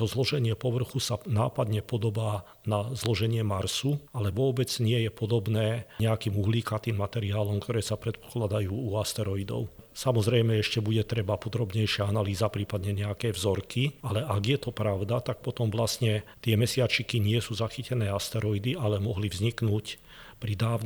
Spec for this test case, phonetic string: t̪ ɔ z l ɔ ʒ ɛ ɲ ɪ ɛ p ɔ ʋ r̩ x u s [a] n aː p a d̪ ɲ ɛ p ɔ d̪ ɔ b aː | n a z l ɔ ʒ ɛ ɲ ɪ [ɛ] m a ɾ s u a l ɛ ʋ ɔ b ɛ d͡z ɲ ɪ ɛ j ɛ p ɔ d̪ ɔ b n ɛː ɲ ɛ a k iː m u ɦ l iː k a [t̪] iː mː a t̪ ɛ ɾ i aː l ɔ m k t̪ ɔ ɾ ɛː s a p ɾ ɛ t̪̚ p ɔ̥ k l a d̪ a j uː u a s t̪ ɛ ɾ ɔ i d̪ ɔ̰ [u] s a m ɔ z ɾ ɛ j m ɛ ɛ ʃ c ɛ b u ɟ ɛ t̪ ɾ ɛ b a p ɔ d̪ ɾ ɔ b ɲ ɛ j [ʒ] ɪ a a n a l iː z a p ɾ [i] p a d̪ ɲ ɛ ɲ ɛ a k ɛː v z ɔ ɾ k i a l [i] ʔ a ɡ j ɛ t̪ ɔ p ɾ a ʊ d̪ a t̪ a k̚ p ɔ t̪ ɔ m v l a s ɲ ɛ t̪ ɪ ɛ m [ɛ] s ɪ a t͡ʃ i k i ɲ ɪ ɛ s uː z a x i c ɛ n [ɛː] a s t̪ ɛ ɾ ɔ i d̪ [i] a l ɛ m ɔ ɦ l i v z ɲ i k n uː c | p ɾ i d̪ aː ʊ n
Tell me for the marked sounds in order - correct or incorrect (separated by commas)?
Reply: correct, correct, correct, incorrect, incorrect, incorrect, incorrect, correct, correct, correct